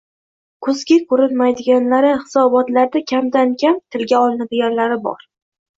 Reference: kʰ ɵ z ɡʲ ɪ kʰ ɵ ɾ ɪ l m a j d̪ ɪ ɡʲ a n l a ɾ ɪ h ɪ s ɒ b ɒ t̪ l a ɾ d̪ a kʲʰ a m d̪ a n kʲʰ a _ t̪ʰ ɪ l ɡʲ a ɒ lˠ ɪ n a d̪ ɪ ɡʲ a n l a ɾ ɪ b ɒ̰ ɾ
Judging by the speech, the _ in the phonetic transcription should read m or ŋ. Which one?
m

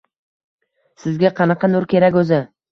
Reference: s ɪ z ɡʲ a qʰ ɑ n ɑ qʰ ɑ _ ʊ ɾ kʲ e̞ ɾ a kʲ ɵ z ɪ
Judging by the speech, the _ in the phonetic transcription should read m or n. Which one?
n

